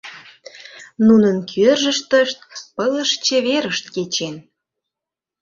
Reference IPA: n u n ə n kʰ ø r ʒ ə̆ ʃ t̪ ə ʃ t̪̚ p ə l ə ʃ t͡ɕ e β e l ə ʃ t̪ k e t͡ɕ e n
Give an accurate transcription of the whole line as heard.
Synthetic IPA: n u n ə n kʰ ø r ʒ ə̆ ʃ t̪ ə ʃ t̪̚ p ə l ə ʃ t͡ɕ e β e ɾ ə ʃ t̪ k e t͡ɕ e n